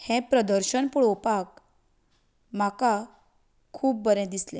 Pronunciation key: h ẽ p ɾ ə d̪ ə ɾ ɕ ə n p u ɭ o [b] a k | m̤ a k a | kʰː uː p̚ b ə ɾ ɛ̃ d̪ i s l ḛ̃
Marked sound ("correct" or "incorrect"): incorrect